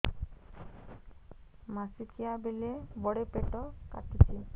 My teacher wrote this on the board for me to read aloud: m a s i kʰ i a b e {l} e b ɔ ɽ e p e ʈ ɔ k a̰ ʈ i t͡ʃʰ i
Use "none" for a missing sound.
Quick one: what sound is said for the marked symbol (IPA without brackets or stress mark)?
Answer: l